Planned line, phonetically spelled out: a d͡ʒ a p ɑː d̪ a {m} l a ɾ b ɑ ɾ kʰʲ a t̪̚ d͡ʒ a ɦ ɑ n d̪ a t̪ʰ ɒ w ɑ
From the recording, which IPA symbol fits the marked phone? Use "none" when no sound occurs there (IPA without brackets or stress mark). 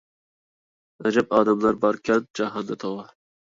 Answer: m